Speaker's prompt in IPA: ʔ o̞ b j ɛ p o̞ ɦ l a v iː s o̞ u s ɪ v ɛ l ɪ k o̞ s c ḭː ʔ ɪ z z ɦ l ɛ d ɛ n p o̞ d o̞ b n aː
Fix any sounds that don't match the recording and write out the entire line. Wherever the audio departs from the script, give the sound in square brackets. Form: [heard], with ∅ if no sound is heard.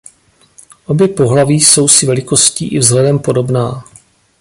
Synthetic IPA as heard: ʔ o̞ b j ɛ p o̞ ɦ l a v iː s o̞ [w] s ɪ v ɛ l ɪ k o̞ s c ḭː ʔ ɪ [v] z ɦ l ɛ d ɛ [m] p o̞ d o̞ b n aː